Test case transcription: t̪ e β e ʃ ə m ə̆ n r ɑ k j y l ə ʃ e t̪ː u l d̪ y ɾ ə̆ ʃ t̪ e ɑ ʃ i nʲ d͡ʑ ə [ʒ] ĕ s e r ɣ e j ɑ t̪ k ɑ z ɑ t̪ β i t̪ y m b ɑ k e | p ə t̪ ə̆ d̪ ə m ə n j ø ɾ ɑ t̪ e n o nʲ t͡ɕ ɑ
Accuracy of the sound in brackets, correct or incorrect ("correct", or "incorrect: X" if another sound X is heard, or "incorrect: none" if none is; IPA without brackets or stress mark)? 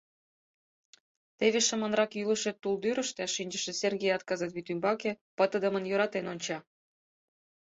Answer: incorrect: ʃ